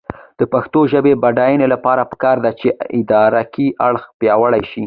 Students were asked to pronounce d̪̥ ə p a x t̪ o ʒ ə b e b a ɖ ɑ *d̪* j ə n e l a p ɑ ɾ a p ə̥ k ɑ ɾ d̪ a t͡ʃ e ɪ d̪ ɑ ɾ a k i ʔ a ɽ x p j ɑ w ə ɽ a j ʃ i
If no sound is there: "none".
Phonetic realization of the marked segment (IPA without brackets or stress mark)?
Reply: none